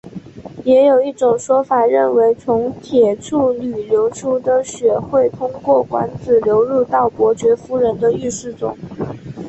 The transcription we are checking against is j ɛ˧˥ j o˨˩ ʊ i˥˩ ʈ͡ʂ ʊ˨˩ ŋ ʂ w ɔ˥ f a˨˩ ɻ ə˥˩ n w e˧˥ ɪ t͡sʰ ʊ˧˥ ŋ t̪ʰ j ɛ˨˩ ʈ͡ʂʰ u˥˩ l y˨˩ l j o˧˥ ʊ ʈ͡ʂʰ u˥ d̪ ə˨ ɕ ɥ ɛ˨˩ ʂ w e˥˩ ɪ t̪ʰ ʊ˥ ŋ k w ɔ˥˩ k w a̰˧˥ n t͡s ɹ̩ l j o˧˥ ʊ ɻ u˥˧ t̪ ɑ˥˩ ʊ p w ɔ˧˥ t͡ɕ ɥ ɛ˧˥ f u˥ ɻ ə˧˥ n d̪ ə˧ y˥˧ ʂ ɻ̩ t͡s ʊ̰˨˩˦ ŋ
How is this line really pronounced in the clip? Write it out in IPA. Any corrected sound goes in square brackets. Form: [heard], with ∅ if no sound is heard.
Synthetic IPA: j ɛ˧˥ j o˨˩ ʊ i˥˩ ʈ͡ʂ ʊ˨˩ ŋ ʂ w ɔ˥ f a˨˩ ɻ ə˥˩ n w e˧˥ ɪ t͡sʰ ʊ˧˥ ŋ t̪ʰ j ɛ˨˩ ʈ͡ʂʰ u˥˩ l y˨˩ l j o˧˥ ʊ ʈ͡ʂʰ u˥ d̪ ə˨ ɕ ɥ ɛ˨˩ [x] w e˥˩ ɪ t̪ʰ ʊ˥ ŋ k w ɔ˥˩ k w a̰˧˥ n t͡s ɹ̩ l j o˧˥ ʊ ɻ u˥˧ t̪ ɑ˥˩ ʊ p w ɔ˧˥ t͡ɕ ɥ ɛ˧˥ f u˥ ɻ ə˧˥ n d̪ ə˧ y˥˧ ʂ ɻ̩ t͡s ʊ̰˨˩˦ ŋ